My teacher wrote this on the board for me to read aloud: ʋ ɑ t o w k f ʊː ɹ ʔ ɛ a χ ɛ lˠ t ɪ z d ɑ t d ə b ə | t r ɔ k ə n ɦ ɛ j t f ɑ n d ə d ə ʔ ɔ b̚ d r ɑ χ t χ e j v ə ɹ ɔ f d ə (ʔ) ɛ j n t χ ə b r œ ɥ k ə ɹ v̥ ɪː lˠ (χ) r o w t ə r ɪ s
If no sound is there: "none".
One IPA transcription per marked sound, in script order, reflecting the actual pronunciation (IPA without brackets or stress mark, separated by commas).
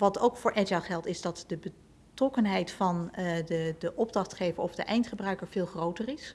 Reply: ʔ, χ